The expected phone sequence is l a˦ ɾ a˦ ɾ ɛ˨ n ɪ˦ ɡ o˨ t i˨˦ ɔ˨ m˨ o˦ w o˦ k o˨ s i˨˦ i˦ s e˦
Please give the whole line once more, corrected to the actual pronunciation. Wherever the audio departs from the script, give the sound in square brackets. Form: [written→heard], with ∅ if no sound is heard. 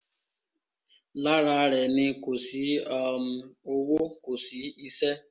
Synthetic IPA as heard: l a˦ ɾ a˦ ɾ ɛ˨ n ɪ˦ [ɡ→k] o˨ [t→s] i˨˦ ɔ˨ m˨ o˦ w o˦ k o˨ s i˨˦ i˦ s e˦